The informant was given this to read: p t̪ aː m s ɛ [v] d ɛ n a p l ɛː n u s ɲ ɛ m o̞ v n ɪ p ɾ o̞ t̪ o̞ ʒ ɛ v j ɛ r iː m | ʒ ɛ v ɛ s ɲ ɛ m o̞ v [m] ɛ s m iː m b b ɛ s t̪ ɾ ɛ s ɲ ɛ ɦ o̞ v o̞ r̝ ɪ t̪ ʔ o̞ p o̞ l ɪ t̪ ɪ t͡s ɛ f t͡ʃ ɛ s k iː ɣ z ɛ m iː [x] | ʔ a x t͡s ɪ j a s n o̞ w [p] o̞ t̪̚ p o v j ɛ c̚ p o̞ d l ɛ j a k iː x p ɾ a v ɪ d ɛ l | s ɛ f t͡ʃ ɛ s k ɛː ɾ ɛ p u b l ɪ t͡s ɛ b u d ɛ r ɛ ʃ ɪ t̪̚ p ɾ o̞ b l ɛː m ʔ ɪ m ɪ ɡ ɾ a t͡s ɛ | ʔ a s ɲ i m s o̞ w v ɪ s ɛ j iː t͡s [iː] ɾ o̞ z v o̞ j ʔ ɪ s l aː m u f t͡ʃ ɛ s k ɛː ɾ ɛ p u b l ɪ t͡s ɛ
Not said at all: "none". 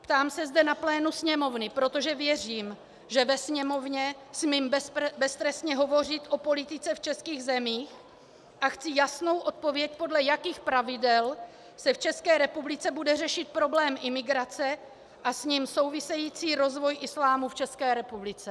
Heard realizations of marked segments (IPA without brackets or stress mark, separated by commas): z, ɲ, x, ʔ, iː